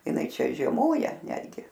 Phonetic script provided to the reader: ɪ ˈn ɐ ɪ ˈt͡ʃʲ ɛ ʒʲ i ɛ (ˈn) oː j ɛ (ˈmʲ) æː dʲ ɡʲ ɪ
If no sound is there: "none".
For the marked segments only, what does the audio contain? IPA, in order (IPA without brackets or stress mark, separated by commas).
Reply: m, nʲ